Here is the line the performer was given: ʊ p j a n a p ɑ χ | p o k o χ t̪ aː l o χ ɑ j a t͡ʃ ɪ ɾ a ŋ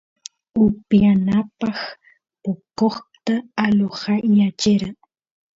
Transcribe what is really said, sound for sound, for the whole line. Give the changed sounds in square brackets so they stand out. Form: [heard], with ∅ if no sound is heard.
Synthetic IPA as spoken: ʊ p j a n a p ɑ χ | p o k o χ t̪ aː l o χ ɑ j a t͡ʃ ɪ ɾ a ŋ